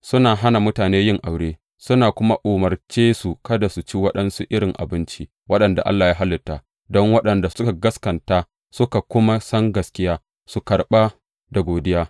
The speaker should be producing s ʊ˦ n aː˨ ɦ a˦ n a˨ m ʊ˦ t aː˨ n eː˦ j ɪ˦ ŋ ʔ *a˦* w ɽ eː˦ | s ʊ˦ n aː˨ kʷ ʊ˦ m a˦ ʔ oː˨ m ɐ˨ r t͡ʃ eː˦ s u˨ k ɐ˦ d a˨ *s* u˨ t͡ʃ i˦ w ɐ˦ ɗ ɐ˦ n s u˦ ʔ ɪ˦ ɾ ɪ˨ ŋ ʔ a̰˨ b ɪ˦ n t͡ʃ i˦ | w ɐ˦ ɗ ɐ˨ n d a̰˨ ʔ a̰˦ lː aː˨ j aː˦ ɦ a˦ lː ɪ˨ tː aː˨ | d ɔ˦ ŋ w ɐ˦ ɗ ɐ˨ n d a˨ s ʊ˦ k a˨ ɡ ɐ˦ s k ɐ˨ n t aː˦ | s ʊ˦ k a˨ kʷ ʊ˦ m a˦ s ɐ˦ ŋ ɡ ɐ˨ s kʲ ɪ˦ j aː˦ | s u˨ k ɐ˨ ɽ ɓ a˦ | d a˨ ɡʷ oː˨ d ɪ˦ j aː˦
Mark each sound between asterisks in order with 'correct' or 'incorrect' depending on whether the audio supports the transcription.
incorrect: a˨, correct

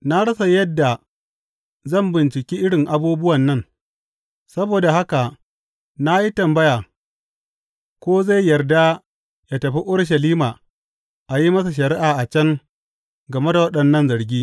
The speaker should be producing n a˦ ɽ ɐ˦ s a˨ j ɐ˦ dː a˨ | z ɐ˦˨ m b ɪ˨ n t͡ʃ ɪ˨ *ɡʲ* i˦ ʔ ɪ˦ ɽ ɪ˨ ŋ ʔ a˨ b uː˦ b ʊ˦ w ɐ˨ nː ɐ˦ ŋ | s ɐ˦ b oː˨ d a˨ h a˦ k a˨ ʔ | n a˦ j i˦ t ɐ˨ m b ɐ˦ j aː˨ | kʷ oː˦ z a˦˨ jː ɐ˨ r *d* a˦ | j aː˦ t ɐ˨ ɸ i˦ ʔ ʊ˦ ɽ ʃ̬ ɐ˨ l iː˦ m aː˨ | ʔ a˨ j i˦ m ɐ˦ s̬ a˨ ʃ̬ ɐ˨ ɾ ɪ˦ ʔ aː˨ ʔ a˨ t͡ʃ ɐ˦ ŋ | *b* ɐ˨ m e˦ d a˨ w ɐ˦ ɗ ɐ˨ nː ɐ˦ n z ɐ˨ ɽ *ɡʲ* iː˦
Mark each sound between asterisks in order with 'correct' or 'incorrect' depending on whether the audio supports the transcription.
incorrect: kʲ, correct, incorrect: ɡ, correct

